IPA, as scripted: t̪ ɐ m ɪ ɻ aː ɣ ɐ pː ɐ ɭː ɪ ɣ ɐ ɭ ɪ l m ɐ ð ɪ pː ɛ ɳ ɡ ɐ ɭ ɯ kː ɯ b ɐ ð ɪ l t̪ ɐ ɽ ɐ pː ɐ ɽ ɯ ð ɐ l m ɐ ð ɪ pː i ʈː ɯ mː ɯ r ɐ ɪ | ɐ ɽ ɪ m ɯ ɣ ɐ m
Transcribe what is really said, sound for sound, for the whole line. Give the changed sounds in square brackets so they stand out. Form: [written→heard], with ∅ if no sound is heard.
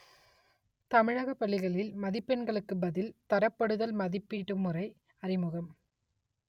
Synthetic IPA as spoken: t̪ ɐ m ɪ ɻ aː ɣ ɐ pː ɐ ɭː ɪ ɣ ɐ ɭ ɪ l m ɐ ð ɪ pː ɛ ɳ ɡ ɐ ɭ ɯ kː ɯ b ɐ ð ɪ l t̪ ɐ [ɽ→ɾ] ɐ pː ɐ ɽ ɯ ð ɐ l m ɐ ð ɪ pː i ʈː ɯ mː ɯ r ɐ ɪ | ɐ [ɽ→r] ɪ m ɯ ɣ ɐ m